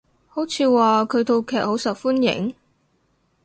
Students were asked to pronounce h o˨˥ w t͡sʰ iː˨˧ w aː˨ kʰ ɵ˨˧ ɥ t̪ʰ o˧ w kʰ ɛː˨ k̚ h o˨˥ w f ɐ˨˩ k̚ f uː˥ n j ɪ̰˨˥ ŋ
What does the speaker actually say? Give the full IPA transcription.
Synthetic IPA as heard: h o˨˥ w t͡sʰ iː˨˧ w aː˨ kʰ ɵ˨˧ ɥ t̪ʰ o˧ w kʰ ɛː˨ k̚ h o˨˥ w s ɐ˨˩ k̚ f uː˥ n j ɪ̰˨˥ ŋ